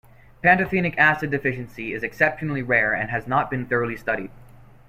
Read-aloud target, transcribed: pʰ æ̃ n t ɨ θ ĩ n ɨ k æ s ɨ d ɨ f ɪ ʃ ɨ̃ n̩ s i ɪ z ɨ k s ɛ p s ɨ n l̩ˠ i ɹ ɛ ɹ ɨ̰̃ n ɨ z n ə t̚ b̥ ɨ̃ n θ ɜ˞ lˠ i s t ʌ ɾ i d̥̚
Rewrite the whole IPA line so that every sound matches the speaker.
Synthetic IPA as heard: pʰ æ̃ n t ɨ θ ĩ n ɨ k æ s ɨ d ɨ f ɪ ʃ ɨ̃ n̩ s i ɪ z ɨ k s ɛ p ʃ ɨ n l̩ˠ i ɹ ɛ ɹ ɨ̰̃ n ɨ z n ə t̚ b̥ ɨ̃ n θ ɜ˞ lˠ i s t ʌ ɾ i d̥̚